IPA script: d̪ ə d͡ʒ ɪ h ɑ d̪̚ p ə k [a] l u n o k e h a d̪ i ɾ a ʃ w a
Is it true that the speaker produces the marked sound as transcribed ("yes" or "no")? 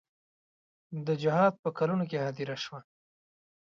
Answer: yes